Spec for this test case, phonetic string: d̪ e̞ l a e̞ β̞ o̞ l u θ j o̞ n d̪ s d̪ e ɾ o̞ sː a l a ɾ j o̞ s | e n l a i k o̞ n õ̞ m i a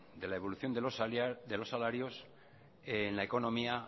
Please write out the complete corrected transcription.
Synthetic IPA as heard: d̪ e̞ l a e̞ β̞ o̞ l u θ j o̞ n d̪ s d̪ e l o̞ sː a l a ɾ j o̞ s | e n l a e k o̞ n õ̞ m i a